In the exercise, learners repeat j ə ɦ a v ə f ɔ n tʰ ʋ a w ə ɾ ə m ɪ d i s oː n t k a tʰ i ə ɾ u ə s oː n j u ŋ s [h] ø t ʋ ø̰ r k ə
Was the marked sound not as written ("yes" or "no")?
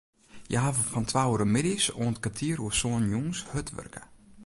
no